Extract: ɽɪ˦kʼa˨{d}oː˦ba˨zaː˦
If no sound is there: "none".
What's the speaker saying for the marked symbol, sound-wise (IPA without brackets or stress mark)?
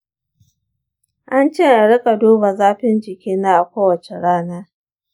d